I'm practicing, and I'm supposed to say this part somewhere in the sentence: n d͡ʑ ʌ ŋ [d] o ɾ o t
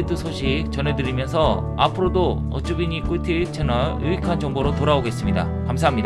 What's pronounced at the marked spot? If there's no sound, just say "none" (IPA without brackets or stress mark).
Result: b